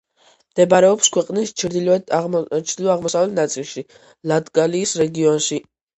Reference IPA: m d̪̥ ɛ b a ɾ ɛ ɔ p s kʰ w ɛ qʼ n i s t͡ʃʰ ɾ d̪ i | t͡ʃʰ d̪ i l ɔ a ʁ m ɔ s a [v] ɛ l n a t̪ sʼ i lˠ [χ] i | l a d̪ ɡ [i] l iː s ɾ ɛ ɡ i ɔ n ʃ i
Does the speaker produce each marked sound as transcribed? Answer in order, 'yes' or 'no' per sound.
yes, no, no

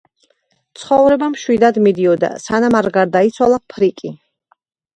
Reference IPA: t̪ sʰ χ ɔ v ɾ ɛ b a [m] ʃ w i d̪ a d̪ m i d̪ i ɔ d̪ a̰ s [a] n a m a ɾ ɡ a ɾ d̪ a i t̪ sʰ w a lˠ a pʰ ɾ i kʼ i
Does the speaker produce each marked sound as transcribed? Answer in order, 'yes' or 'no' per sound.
yes, yes

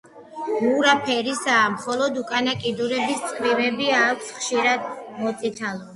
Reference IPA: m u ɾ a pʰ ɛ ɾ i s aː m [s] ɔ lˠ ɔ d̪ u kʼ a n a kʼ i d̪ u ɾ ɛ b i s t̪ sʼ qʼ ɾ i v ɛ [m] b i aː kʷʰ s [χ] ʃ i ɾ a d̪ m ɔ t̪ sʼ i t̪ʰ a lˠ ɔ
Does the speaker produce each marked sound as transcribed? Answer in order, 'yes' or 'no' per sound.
no, no, yes

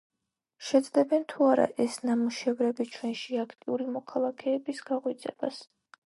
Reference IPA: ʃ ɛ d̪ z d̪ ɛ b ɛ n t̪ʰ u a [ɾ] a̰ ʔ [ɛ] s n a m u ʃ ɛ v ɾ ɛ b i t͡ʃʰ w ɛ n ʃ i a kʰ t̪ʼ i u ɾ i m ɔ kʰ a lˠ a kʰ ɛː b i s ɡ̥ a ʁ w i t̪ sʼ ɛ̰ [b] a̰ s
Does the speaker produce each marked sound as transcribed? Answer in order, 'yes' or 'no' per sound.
yes, yes, yes

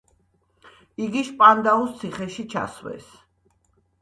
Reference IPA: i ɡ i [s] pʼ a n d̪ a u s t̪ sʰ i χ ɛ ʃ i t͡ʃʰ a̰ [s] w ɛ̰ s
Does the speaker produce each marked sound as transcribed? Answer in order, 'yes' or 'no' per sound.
no, yes

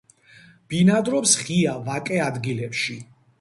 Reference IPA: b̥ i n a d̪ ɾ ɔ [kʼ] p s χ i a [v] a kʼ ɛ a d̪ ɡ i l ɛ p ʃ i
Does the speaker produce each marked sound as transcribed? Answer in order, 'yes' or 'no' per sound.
no, yes

